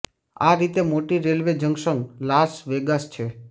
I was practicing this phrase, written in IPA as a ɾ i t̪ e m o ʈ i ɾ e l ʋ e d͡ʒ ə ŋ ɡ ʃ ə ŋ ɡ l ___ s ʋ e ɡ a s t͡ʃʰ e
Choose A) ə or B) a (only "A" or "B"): B